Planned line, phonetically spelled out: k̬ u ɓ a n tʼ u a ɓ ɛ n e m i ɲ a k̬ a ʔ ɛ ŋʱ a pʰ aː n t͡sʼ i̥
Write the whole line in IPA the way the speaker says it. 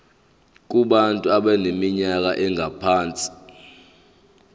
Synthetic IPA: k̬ u ɓ a n tʼ u a ɓ ɛ n e m i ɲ a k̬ a ʔ ɛ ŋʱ a pʰ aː n t͡sʼ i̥